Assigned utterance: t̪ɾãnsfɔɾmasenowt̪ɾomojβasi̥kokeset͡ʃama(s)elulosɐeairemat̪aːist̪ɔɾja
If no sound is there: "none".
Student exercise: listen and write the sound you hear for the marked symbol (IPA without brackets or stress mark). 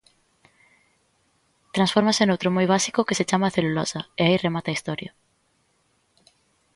θ